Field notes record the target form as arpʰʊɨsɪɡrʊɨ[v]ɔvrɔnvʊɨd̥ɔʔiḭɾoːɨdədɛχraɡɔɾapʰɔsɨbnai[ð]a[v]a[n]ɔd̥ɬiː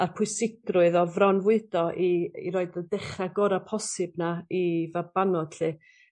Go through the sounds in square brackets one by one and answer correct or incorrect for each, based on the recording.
incorrect, incorrect, incorrect, correct

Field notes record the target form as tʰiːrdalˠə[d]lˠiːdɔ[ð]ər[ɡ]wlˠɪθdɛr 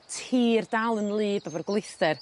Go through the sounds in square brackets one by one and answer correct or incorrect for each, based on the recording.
incorrect, incorrect, correct

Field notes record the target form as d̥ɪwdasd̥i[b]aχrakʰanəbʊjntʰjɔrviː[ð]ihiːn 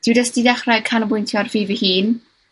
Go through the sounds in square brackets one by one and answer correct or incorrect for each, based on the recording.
incorrect, incorrect

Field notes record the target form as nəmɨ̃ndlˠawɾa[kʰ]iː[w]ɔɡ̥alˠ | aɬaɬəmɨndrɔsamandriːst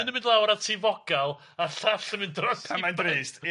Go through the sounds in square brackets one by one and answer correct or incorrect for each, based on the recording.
incorrect, incorrect

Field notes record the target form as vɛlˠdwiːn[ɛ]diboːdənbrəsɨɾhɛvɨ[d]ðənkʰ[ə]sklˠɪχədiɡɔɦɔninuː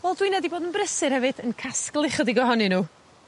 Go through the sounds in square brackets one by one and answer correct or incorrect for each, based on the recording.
correct, incorrect, incorrect

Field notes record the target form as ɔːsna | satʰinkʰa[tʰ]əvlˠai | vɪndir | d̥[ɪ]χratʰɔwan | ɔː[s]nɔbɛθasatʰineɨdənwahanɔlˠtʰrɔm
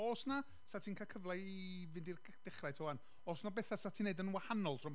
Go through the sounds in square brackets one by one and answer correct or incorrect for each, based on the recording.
incorrect, correct, correct

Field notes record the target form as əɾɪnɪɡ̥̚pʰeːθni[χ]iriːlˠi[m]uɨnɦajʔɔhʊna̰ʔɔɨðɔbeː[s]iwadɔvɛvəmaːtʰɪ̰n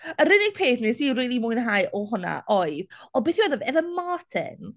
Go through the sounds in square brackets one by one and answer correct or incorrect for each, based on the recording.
incorrect, correct, incorrect

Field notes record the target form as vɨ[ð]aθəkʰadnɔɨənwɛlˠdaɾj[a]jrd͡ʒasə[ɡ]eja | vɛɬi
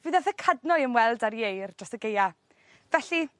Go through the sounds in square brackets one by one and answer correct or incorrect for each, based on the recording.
correct, incorrect, correct

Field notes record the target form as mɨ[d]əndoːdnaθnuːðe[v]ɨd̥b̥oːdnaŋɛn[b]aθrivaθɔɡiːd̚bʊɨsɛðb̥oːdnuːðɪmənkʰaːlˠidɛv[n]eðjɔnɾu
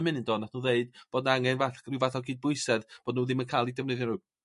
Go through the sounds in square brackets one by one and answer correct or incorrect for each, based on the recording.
incorrect, incorrect, incorrect, correct

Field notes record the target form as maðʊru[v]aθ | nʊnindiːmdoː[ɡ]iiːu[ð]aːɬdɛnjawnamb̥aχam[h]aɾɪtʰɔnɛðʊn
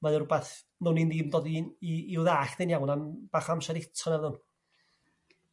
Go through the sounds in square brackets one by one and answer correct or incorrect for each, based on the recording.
incorrect, incorrect, correct, incorrect

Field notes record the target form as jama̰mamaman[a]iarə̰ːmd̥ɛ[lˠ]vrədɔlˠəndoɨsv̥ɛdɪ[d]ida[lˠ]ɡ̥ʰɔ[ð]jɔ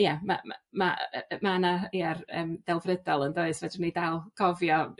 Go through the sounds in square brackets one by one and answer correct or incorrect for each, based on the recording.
correct, correct, incorrect, correct, incorrect

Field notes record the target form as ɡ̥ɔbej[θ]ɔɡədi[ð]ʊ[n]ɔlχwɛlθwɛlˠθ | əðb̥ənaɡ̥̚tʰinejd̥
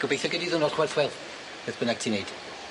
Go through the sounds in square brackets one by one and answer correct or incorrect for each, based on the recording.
correct, correct, correct

